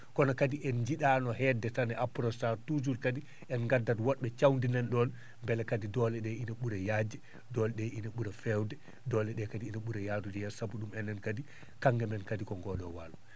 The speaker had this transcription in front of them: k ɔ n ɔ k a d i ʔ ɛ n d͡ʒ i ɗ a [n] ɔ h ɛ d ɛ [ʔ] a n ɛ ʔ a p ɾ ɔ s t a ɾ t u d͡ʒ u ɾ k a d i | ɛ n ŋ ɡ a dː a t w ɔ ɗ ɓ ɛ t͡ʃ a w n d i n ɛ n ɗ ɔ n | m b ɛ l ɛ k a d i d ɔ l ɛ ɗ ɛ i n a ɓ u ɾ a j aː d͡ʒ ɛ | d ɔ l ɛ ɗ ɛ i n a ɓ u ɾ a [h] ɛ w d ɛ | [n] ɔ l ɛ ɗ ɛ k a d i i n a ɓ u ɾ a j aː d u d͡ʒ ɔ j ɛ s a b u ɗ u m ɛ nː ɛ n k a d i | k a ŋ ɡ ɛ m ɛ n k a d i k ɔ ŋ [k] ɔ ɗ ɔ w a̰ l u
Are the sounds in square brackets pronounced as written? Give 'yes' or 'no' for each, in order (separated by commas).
yes, no, no, no, no